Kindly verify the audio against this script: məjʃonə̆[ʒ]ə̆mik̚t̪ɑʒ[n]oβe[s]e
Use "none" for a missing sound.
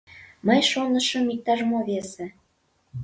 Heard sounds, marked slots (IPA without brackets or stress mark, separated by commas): ʃ, m, s